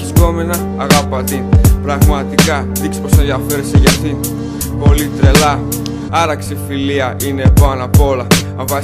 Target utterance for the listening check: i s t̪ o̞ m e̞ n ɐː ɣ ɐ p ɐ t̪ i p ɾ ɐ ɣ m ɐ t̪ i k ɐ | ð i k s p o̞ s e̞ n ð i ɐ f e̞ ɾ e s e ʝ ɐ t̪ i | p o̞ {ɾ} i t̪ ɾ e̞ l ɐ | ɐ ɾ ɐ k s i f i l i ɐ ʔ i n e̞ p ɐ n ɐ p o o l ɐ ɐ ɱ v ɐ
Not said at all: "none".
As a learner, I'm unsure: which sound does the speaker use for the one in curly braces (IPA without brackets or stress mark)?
l